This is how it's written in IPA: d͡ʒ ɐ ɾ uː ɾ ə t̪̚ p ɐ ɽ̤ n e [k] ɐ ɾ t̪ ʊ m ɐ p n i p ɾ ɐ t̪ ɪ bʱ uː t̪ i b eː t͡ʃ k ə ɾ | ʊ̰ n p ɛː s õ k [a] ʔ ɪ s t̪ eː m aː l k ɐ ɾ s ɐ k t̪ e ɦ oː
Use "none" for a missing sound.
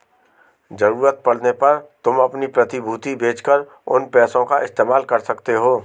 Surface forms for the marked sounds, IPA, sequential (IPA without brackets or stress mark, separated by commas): p, a